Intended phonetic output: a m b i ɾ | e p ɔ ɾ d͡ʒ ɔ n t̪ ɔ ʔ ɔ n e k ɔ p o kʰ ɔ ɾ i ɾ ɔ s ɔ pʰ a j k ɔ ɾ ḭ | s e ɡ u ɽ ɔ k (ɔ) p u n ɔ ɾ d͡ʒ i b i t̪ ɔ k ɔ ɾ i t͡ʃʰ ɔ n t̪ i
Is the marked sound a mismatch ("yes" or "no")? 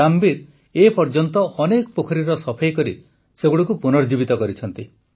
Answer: yes